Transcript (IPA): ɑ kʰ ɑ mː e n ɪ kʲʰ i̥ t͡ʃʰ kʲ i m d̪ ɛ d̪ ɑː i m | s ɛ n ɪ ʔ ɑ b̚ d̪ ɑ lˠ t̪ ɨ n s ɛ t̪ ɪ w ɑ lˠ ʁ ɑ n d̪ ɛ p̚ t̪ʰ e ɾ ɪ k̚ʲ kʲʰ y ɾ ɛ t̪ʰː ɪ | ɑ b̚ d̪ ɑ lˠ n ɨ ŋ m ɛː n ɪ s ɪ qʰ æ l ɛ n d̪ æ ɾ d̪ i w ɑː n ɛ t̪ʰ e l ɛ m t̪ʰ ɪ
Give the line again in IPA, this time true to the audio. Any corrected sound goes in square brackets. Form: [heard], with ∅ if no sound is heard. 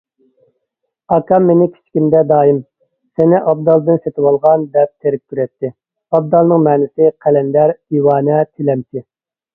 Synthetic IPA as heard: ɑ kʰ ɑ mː e n ɪ kʲʰ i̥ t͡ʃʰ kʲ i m d̪ ɛ d̪ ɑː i m | s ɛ n ɪ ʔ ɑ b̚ d̪ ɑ lˠ [d̪] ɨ n s [e] t̪ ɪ w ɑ lˠ ʁ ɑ n d̪ ɛ p̚ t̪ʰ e ɾ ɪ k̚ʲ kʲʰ y ɾ ɛ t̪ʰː ɪ | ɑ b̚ d̪ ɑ lˠ n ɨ ŋ m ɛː n ɪ s ɪ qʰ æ l ɛ n d̪ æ ɾ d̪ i w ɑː n ɛ t̪ʰ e l ɛ m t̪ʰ ɪ